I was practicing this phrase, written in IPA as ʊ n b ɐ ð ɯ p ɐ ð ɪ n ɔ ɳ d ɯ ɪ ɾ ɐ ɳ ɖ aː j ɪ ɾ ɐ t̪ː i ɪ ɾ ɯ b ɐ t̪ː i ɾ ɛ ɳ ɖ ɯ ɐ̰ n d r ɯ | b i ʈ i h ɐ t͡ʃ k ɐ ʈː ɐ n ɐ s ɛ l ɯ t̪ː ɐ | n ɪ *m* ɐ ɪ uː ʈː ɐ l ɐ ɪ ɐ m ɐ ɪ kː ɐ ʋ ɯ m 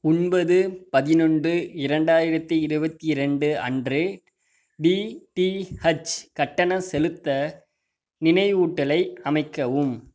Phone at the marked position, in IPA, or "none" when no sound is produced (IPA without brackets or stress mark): n